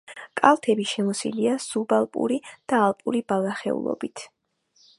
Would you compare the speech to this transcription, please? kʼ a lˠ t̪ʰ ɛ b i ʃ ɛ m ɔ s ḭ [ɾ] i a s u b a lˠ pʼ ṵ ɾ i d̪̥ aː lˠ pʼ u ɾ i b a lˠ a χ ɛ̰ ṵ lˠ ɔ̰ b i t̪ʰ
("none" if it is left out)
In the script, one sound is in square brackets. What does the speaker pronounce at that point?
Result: l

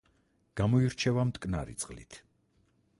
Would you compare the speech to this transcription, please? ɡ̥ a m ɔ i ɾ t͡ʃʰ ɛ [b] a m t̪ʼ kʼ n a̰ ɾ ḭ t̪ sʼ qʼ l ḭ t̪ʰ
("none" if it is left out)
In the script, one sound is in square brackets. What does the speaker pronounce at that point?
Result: v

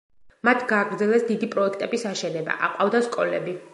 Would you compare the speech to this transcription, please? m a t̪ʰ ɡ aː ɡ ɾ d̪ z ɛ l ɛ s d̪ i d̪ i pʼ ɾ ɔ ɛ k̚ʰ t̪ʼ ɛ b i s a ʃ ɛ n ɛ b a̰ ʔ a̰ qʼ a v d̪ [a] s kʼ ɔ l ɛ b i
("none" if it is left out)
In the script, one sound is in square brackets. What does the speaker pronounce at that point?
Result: a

